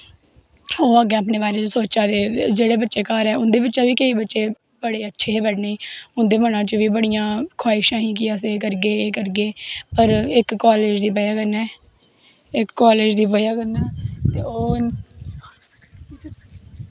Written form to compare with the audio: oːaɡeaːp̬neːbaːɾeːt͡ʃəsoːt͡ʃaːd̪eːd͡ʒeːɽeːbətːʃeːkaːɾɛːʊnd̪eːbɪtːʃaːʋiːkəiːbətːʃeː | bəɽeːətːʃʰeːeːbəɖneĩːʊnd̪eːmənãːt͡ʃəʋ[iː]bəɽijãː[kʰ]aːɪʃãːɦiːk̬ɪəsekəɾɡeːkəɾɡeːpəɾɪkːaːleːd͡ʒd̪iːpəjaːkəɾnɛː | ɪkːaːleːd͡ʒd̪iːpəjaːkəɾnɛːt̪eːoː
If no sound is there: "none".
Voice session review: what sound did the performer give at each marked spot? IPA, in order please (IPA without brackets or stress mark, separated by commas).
iː, kʰ